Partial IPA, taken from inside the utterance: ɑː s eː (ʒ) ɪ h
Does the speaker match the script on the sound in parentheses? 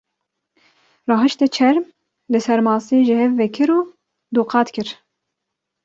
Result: yes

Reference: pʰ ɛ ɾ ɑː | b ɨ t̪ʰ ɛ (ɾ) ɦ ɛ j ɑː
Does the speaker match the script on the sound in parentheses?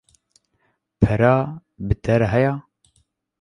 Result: yes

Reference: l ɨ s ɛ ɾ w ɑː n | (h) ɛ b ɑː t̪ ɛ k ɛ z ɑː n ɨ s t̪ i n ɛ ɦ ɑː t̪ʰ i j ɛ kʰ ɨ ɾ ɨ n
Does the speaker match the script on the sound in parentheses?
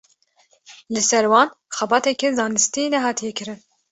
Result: no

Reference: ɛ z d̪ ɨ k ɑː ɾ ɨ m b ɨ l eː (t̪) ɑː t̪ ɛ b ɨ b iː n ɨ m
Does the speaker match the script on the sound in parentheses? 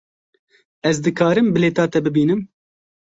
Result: yes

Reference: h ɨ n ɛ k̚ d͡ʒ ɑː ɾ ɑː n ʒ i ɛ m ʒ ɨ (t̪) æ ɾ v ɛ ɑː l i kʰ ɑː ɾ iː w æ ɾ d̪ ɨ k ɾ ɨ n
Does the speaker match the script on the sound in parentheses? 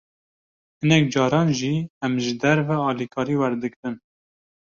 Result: no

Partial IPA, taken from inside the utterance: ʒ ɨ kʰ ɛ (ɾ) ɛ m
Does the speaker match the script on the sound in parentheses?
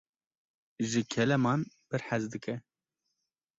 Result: no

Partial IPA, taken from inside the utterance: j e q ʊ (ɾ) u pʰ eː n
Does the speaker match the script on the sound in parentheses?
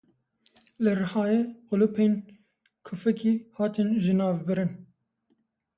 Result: no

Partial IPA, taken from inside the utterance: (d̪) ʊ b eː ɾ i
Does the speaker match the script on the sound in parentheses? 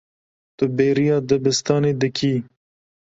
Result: no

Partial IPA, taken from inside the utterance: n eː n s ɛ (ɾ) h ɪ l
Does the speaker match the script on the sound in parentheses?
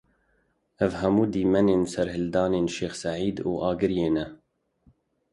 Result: yes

